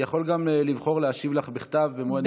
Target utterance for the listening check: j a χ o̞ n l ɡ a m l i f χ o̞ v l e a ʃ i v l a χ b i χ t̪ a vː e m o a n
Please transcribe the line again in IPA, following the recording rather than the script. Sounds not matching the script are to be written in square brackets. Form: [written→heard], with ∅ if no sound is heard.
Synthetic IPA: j a χ o̞ [n→∅] l ɡ a m l i [f→v] χ o̞ [v→ʁ] l e a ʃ i v l a χ b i χ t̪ a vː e m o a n